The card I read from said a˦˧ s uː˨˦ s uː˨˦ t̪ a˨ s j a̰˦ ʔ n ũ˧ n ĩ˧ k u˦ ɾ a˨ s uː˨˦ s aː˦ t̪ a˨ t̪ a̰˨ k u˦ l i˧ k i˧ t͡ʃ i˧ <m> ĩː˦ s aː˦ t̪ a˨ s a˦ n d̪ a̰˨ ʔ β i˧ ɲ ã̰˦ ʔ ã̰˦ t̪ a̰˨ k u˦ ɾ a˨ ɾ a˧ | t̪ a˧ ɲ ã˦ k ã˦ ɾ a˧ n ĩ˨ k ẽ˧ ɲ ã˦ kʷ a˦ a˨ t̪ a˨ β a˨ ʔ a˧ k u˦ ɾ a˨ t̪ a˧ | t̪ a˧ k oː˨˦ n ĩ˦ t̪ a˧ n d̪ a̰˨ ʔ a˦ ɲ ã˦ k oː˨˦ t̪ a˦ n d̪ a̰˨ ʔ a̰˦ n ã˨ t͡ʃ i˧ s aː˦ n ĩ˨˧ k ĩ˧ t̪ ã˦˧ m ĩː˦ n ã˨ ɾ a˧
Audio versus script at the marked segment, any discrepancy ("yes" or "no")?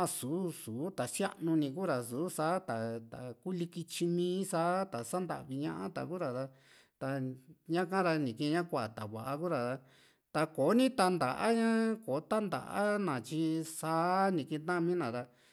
no